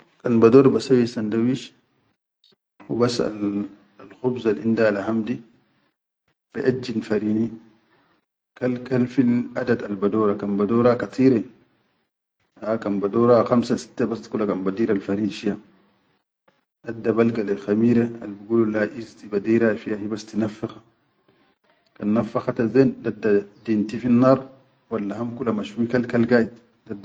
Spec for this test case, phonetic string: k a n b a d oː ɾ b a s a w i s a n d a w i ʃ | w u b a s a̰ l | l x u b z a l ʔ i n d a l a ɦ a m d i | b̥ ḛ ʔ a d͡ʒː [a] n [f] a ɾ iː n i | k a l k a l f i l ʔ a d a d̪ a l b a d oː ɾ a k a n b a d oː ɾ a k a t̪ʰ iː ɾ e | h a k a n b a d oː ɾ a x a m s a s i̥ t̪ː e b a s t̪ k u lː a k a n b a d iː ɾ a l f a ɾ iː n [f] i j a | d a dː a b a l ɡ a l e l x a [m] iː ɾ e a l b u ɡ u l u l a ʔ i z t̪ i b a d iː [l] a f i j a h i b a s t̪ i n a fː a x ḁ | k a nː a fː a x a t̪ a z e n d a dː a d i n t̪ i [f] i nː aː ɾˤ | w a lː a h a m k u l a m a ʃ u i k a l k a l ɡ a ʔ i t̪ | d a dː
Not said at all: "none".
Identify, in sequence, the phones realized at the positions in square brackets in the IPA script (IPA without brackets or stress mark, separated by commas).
i, f, ʃ, m, ɾ, f